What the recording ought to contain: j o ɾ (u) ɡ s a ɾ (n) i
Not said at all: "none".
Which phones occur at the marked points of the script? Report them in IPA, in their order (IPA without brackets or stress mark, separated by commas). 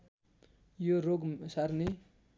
o, n